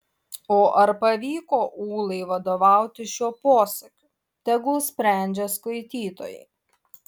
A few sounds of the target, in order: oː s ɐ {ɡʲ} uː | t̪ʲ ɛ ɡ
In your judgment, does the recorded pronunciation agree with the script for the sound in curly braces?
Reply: no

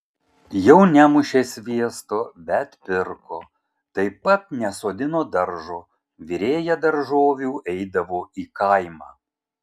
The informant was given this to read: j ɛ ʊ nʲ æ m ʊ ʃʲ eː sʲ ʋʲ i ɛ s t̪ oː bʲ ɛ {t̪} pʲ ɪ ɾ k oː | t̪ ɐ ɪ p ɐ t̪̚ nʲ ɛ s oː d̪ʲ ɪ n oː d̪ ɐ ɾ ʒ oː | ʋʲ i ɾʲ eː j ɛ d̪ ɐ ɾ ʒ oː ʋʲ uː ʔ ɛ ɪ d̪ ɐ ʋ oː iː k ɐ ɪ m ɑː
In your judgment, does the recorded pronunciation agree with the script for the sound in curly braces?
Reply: yes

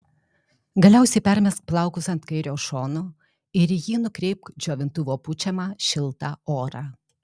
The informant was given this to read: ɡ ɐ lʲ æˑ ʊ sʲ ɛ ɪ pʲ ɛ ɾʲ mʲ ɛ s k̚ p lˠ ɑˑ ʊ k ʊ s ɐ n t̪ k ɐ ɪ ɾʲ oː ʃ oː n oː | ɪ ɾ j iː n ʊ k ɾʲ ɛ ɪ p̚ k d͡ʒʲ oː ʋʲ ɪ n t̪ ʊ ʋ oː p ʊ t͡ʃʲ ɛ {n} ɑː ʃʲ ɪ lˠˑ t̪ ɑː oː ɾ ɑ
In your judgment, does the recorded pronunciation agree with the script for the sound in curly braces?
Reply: no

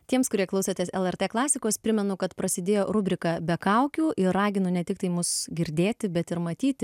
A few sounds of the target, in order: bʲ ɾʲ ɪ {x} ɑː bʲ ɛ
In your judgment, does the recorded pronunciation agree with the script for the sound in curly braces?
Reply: no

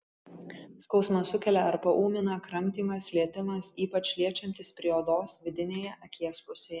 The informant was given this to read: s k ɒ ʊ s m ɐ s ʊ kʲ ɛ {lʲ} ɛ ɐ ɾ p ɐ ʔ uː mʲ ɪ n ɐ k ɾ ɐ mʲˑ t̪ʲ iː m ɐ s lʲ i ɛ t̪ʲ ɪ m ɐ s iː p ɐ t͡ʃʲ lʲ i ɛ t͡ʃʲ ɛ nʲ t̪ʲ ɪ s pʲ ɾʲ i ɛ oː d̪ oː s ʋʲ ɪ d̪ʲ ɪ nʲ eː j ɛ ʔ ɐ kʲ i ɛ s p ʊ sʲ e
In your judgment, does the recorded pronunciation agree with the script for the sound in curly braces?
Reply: yes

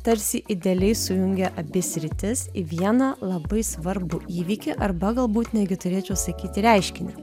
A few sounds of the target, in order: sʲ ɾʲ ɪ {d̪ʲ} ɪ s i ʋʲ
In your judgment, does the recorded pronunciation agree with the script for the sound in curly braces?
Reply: no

